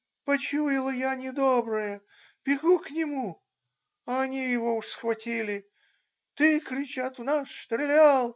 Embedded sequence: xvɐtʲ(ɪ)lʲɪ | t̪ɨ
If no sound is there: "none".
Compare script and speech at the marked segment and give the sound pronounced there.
i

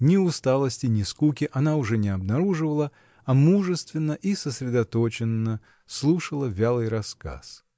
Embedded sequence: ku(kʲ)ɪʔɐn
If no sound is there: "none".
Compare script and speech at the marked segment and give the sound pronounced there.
kʲ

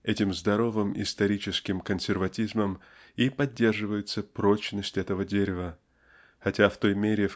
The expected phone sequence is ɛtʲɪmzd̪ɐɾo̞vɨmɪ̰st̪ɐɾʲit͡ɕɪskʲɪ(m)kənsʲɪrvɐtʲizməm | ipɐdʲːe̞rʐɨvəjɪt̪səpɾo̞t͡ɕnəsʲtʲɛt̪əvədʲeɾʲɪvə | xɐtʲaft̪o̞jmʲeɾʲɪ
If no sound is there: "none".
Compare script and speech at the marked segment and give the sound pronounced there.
m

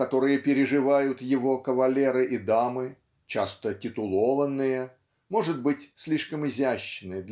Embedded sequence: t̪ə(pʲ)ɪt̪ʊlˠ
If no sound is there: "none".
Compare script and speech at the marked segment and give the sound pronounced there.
tʲ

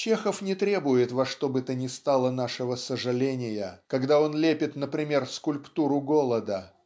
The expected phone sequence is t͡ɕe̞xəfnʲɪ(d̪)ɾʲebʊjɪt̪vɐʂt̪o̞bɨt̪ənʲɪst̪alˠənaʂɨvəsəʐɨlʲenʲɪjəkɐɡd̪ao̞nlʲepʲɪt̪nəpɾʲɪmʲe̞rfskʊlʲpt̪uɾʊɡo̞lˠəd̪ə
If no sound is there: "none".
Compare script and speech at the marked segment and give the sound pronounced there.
t̪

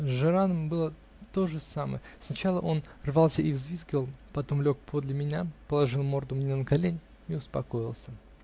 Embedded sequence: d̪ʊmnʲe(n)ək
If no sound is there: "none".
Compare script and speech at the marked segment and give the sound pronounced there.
n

